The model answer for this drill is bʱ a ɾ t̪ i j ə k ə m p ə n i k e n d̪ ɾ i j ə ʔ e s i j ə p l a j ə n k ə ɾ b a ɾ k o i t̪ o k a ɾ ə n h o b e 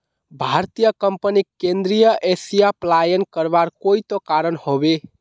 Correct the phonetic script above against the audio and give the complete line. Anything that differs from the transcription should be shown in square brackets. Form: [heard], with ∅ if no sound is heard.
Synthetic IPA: bʱ a ɾ t̪ i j ə k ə m p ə n i k e n d̪ ɾ i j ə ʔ e s i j [a] p l a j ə n k ə ɾ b a ɾ k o i t̪ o k a ɾ ə n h o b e